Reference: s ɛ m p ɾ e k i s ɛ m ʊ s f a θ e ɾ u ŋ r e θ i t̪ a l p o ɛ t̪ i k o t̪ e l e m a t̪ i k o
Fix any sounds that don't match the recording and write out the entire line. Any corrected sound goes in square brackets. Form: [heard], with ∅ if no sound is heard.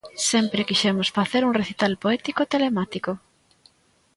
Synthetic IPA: s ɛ m p ɾ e k i [ʃ] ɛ m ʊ s f a θ e ɾ u ŋ r e θ i t̪ a l p o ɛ t̪ i k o t̪ e l e m a t̪ i k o